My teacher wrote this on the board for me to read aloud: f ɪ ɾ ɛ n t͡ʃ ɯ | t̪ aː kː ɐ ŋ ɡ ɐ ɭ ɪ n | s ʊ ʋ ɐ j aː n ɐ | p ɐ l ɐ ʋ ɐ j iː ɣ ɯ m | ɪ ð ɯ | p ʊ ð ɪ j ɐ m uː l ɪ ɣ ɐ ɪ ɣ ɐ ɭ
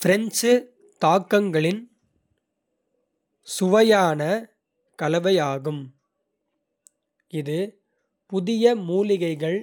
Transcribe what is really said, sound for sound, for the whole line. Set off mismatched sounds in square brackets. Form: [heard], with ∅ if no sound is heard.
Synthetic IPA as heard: f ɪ ɾ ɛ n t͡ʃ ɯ | t̪ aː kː ɐ ŋ ɡ ɐ ɭ ɪ n | s ʊ ʋ ɐ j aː n ɐ | [k] ɐ l ɐ ʋ ɐ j [aː] ɣ ɯ m | ɪ ð ɯ | p ʊ ð ɪ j ɐ m uː l ɪ ɣ ɐ ɪ ɣ ɐ ɭ